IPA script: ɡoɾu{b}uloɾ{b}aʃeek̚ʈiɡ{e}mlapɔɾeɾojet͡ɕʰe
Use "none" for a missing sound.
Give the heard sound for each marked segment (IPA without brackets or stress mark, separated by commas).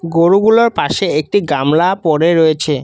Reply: ɡ, p, a